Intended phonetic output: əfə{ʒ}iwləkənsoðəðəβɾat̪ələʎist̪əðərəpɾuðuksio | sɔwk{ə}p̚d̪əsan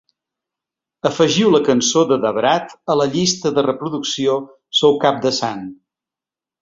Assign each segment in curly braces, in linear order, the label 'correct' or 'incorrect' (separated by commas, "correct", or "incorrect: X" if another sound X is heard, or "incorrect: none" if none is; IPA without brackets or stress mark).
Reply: correct, incorrect: a